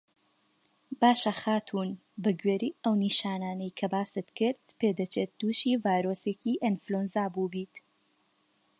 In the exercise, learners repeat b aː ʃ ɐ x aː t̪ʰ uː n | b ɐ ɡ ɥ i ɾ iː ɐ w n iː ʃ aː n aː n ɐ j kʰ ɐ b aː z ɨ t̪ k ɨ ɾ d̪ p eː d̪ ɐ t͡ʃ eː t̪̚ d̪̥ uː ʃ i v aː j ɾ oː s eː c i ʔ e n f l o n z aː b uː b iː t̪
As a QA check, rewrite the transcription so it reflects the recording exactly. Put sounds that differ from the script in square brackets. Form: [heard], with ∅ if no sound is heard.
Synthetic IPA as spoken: b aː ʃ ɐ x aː t̪ʰ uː n | b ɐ ɡ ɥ [e] ɾ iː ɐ w n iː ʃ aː n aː n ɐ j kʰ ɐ b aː [s] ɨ t̪ k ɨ ɾ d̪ p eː d̪ ɐ t͡ʃ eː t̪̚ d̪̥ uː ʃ i v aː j ɾ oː s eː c i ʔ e n f l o n z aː b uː b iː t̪